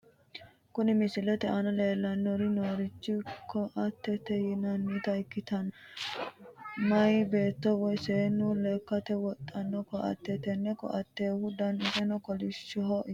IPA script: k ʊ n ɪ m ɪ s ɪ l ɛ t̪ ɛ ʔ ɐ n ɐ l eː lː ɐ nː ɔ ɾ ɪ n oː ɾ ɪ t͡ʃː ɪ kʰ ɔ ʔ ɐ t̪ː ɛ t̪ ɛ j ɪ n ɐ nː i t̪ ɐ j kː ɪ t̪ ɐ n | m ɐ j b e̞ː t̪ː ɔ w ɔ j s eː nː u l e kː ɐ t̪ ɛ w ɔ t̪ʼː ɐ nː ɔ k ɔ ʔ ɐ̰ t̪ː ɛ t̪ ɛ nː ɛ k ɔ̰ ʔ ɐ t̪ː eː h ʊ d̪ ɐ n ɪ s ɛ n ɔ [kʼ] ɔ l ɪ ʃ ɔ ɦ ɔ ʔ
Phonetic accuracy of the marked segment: incorrect: k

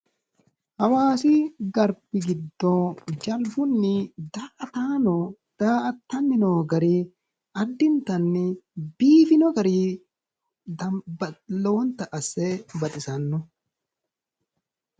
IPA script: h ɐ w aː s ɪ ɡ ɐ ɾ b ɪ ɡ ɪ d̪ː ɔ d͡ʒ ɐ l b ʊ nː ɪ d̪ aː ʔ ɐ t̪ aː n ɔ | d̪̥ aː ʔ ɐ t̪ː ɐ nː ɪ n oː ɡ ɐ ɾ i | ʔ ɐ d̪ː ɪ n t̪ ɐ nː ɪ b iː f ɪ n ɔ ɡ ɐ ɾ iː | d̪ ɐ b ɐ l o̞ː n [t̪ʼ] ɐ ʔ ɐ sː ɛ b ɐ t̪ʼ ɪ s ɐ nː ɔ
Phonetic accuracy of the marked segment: incorrect: t̪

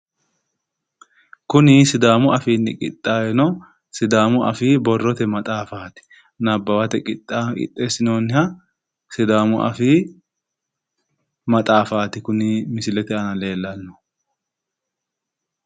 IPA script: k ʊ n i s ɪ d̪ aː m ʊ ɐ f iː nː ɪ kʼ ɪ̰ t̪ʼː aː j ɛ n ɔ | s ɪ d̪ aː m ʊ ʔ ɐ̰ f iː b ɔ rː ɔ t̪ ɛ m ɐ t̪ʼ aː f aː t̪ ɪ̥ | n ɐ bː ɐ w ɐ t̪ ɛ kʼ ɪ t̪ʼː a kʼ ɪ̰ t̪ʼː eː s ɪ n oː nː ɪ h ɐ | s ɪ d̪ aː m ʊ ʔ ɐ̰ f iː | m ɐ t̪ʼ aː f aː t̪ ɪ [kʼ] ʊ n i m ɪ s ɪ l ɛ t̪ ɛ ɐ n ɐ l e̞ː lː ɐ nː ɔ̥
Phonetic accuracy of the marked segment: incorrect: k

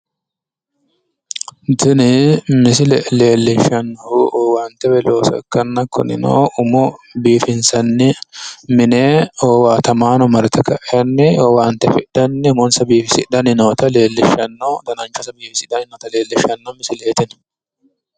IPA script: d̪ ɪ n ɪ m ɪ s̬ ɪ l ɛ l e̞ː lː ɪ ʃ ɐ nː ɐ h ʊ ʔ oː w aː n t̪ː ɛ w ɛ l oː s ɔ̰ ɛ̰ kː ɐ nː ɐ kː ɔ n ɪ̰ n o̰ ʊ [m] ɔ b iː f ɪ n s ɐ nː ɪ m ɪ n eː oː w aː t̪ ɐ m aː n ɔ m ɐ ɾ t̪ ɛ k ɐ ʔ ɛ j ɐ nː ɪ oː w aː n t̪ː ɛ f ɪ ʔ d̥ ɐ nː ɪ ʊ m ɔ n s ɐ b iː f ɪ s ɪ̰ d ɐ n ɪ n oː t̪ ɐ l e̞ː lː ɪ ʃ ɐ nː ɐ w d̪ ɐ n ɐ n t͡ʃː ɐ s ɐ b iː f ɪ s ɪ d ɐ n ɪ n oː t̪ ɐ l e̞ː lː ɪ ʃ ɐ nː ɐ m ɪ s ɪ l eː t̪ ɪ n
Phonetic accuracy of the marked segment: correct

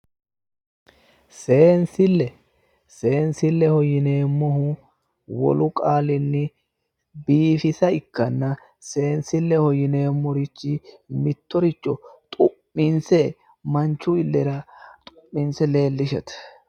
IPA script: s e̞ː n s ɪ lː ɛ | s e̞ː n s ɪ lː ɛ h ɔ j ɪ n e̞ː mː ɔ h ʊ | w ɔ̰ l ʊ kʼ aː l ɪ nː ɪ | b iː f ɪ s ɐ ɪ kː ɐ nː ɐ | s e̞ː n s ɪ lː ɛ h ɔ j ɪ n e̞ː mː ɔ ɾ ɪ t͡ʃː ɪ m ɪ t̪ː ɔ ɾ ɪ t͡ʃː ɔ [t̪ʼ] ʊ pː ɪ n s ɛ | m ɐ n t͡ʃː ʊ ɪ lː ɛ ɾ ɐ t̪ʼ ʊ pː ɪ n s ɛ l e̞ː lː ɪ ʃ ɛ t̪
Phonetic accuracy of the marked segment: correct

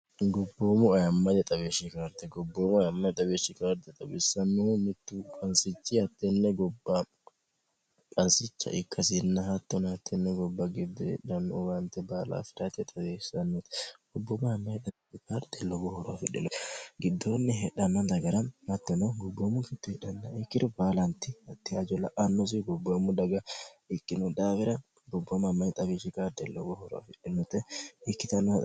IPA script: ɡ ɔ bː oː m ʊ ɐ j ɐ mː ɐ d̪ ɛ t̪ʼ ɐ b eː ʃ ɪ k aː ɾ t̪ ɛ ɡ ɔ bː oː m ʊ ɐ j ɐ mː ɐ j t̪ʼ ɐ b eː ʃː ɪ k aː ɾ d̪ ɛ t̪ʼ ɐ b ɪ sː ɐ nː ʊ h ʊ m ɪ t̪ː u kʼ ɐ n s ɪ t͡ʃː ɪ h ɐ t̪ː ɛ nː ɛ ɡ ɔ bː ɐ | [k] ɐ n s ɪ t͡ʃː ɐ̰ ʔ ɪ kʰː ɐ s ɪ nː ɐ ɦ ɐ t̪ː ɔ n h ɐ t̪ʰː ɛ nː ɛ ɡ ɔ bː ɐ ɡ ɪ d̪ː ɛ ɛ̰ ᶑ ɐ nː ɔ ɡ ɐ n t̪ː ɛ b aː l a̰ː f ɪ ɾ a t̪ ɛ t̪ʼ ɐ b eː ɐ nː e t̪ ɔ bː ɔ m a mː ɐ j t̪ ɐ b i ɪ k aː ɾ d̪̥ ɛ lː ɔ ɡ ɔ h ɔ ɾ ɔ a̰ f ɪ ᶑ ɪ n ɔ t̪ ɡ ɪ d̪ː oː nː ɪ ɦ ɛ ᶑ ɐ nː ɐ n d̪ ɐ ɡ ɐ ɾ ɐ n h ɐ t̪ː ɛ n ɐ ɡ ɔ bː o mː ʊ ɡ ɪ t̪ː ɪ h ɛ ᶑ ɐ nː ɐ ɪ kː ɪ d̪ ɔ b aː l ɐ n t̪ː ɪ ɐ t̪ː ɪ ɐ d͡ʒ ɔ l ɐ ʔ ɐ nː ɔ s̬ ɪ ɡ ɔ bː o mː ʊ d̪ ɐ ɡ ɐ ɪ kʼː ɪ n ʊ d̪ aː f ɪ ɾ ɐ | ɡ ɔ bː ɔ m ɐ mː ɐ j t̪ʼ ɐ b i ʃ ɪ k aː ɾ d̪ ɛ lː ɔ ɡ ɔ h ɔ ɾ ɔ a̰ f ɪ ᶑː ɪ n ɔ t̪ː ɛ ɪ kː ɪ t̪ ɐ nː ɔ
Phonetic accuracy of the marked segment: incorrect: kʼ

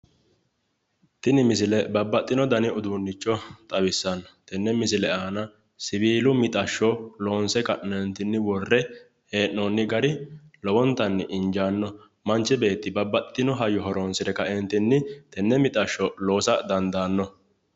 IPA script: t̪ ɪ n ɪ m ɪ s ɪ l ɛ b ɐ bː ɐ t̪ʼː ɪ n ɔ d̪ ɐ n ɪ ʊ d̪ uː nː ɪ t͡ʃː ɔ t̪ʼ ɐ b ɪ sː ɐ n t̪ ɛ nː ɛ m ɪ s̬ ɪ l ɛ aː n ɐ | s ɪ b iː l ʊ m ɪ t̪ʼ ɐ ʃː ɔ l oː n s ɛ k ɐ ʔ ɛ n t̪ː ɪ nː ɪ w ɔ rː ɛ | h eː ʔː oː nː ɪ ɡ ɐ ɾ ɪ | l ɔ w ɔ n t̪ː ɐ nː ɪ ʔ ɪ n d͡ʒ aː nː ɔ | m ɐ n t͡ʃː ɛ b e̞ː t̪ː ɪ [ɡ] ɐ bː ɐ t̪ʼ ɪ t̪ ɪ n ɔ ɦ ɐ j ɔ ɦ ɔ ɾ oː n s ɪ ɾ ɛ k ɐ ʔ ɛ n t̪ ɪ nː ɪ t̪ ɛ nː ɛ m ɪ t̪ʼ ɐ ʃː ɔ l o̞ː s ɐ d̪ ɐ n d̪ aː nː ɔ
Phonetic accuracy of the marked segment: incorrect: b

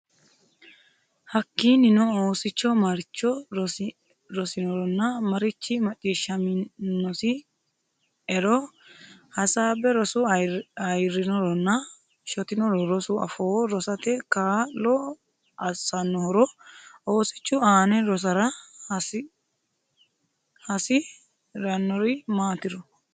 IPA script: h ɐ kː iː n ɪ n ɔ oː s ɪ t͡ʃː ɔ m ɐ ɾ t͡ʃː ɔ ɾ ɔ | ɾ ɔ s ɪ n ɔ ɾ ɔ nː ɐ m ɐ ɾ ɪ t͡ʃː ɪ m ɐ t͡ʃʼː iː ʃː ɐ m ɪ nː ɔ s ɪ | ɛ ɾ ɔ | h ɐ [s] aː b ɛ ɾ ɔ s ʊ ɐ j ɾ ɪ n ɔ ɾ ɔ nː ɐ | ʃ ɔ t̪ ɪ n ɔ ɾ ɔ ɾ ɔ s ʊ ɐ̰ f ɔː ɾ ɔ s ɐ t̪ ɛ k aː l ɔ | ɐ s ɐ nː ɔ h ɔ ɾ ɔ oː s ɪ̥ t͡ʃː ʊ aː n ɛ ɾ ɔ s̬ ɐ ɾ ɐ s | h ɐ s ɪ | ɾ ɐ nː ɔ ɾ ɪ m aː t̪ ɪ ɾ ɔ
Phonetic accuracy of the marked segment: correct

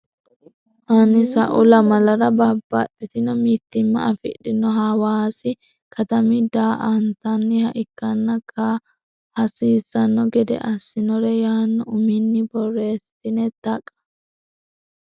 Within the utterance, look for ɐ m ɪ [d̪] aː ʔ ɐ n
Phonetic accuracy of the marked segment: correct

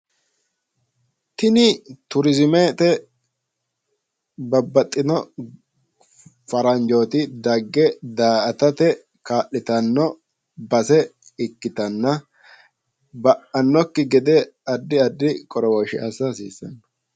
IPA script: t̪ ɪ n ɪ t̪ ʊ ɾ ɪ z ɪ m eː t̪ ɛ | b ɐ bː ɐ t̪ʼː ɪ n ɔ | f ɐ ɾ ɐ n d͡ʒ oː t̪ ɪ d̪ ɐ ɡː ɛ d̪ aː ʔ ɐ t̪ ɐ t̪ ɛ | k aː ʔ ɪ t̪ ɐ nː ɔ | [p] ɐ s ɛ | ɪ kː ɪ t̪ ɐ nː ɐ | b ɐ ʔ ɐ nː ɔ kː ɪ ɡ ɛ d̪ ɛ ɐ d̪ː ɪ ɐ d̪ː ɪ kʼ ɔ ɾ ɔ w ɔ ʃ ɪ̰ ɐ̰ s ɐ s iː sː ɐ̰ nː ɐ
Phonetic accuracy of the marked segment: incorrect: b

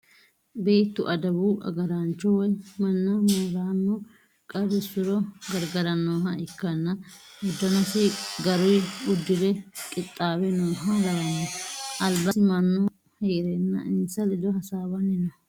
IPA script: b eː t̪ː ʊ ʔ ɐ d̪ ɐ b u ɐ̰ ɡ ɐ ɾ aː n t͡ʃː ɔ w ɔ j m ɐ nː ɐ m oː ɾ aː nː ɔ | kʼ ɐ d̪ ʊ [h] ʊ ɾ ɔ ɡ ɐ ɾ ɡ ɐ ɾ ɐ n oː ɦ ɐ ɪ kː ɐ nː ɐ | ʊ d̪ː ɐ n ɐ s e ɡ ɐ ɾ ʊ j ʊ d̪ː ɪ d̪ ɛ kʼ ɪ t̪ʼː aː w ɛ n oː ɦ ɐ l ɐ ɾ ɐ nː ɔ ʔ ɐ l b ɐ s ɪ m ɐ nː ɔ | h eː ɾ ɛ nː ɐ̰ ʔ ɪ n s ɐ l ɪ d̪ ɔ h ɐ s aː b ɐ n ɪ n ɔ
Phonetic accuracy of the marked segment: incorrect: s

